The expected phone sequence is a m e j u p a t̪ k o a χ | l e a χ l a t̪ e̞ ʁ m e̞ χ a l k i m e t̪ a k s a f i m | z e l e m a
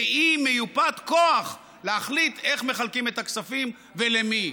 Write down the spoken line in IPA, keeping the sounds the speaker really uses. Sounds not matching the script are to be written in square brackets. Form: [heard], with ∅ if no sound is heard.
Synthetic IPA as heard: [i] m e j u p a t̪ k o a χ | l e a χ l [i] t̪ e̞ [χ] m e̞ χ a l k i m e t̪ a k s a f i m | [v] e l e m [i]